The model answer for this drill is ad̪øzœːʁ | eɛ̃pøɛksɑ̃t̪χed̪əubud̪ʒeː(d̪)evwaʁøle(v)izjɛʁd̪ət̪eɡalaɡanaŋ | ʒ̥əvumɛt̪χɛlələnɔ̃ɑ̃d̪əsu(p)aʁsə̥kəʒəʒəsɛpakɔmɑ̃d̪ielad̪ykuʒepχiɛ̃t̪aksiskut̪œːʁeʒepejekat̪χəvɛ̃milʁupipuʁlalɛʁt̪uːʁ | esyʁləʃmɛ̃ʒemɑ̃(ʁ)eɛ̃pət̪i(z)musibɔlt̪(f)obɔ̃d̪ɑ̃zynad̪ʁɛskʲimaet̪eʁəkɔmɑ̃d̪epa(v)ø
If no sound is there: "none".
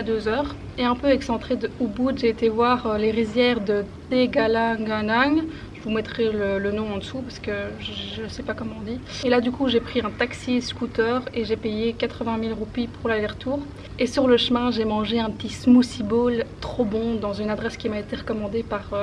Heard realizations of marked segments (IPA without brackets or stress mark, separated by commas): t̪, ʁ, p, ʒ, s, χ, ʁ